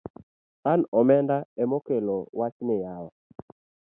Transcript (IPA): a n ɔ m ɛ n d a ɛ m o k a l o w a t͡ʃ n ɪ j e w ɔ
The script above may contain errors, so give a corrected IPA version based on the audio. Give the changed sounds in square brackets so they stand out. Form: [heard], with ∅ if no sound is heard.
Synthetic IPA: a n ɔ m ɛ n d a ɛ m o k [e] l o w a t͡ʃ n ɪ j [a] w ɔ